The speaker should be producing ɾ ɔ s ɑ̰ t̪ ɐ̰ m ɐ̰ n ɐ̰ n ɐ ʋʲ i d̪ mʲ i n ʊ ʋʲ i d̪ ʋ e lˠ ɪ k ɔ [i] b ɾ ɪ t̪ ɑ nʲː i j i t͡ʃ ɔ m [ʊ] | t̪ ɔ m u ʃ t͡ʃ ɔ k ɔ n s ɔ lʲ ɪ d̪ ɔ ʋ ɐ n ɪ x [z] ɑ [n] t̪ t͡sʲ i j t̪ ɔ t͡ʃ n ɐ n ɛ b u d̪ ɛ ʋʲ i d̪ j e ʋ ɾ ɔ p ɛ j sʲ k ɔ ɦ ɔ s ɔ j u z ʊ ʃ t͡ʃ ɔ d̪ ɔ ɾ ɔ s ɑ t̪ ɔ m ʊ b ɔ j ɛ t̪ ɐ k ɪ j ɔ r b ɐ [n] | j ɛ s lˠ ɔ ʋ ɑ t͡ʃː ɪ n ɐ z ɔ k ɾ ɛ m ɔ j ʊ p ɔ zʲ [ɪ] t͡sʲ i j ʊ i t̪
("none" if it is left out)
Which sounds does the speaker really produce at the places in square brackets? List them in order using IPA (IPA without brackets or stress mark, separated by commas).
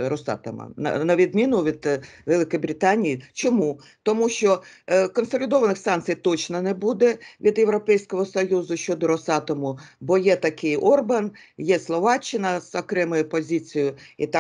j, u, s, n, n, i